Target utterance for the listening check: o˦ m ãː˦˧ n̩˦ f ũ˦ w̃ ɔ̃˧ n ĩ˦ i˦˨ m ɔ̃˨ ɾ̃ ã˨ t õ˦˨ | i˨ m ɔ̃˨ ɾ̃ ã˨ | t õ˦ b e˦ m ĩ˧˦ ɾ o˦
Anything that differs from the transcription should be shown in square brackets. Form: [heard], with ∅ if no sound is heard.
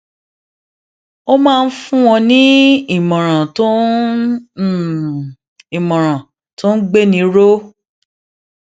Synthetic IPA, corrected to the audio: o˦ m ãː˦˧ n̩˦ f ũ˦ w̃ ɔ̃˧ n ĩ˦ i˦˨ m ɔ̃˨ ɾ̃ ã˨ t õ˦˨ | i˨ m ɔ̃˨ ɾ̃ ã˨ | t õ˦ [ɡ͡b] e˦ [n] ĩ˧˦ ɾ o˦